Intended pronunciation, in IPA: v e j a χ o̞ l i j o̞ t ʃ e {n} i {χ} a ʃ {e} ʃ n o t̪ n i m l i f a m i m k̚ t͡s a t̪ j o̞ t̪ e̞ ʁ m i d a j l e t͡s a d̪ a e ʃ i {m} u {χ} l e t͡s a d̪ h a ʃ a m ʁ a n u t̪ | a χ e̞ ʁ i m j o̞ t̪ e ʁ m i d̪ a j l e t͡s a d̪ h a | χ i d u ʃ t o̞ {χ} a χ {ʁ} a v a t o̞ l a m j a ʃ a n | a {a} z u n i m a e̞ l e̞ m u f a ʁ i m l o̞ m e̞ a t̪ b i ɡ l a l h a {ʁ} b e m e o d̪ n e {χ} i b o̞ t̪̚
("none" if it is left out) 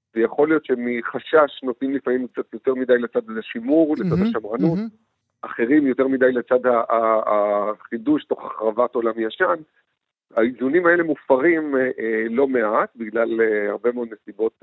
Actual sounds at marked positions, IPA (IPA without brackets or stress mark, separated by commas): m, χ, a, m, ʁ, χ, ʁ, i, ʁ, s